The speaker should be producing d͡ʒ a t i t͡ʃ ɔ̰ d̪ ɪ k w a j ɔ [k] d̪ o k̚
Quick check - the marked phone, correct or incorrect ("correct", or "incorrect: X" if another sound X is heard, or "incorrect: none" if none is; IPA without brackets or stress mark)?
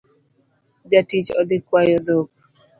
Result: incorrect: none